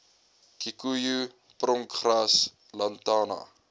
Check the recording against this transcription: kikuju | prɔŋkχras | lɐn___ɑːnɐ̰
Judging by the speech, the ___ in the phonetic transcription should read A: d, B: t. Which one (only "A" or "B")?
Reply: B